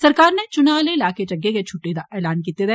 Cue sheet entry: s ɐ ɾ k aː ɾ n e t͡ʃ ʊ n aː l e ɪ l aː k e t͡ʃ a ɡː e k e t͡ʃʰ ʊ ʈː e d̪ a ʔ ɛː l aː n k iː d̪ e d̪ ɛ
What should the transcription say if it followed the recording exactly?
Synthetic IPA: s ɐ ɾ k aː ɾ n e t͡ʃ ʊ n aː l e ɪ l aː k e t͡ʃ ɐ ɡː e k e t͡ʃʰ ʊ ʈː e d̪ a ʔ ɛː l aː n k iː t̪ e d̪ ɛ